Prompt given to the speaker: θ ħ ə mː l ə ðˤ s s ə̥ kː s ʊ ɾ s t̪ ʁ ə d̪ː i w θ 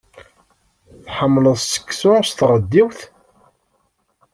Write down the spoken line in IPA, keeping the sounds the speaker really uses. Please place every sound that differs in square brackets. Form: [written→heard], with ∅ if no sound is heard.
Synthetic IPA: θ ħ ə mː l ə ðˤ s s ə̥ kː s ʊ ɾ s t̪ ʁ ə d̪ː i w θ